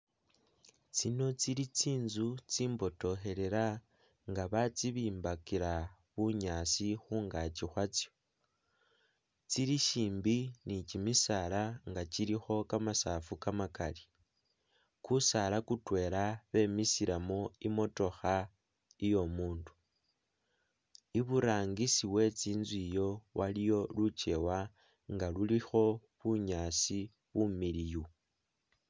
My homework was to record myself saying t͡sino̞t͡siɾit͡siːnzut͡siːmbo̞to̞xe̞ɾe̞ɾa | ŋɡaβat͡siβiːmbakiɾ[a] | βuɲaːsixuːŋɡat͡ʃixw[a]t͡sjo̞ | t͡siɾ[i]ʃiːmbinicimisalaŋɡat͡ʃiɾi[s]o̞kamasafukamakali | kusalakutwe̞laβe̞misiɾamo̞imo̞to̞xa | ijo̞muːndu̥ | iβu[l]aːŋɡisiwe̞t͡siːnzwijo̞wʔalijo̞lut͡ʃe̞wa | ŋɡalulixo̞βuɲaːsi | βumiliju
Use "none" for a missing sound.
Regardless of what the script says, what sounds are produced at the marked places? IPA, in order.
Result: a, a, i, x, ɾ

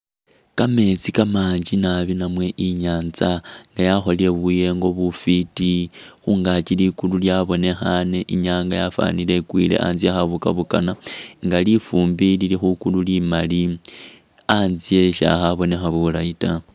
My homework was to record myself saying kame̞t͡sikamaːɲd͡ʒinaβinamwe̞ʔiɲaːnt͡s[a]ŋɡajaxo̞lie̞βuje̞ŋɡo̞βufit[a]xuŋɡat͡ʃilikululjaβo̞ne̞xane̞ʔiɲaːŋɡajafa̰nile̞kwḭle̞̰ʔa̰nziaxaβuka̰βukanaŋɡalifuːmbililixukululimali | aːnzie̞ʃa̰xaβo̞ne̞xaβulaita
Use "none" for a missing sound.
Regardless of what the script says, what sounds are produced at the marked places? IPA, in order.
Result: a, i

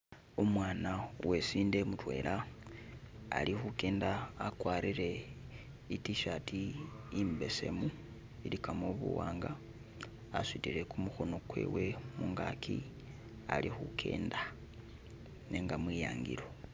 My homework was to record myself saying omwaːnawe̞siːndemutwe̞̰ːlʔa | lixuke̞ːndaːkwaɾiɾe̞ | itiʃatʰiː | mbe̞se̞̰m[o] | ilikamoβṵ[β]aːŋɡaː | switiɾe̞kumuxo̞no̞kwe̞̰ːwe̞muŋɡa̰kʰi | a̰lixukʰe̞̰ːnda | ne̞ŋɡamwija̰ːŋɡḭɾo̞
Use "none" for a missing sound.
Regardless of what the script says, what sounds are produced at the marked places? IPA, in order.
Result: u, w

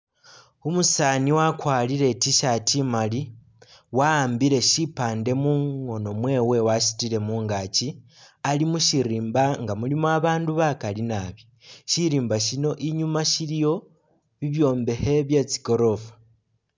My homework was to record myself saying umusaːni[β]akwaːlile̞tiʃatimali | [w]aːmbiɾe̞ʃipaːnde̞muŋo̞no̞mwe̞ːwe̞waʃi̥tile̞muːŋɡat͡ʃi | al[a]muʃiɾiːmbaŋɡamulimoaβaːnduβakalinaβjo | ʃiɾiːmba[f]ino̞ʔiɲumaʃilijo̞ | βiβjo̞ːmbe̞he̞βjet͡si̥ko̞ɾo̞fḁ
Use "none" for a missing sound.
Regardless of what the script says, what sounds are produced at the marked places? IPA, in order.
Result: w, w, i, ʃ

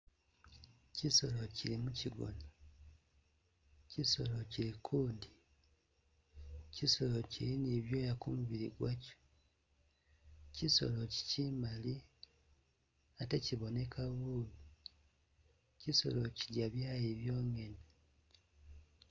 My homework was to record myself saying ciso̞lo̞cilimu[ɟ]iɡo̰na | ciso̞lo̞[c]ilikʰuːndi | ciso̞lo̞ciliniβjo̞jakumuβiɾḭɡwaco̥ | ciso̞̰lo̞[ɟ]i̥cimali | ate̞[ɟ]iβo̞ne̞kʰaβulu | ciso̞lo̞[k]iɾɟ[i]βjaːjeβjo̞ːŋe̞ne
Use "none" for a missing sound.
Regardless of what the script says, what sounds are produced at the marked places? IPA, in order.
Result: c, c, c, c, c, a

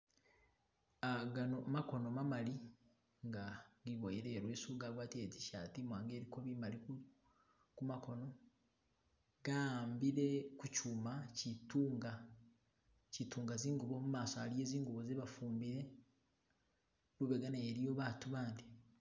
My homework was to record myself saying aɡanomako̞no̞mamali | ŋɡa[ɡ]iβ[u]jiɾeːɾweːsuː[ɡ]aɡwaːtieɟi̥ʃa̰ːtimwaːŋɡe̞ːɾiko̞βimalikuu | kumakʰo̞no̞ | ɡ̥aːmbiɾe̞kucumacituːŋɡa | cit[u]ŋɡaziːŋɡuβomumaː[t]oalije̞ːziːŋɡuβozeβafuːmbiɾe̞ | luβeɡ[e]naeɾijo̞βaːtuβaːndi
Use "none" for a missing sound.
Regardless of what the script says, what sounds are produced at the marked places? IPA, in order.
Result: ɡ, o, ɡ, uː, s, a

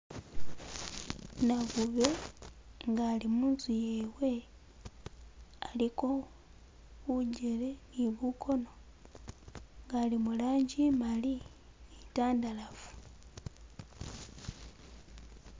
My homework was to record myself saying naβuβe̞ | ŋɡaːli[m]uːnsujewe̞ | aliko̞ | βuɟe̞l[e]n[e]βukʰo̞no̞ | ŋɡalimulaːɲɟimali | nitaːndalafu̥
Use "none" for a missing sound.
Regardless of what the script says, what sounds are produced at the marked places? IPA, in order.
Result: m, e, i

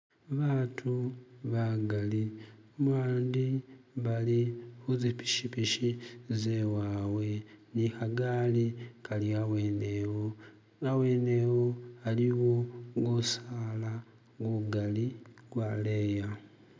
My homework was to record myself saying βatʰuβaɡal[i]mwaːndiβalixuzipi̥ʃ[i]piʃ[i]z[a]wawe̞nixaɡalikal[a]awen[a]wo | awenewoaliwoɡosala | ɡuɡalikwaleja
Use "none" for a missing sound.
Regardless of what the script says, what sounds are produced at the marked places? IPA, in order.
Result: i, i, i, e, i, e

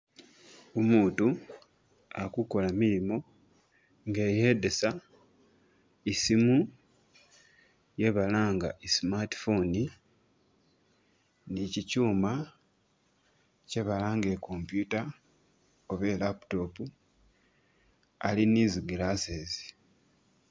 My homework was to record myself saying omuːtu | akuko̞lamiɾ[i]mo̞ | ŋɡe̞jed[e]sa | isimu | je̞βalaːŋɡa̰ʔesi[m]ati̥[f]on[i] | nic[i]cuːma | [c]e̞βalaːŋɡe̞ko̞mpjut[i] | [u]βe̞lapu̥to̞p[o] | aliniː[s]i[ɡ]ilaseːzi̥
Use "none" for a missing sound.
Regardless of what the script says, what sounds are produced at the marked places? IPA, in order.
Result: i, e, m, f, i, i, c, a, o, u, z, ɡ

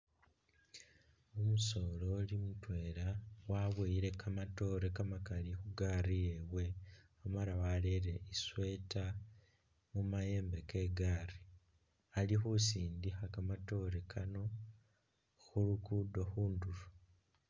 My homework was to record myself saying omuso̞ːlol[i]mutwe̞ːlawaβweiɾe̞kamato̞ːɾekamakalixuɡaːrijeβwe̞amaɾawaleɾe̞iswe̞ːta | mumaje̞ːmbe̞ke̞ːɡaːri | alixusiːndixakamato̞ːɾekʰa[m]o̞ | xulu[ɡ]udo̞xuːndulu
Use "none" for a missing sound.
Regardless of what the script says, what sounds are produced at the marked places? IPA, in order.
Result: i, n, k

